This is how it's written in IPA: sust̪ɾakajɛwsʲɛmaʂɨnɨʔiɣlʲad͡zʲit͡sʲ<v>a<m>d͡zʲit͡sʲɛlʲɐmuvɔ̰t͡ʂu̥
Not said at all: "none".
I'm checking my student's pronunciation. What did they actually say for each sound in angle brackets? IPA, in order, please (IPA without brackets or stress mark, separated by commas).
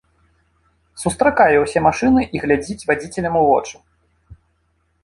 v, none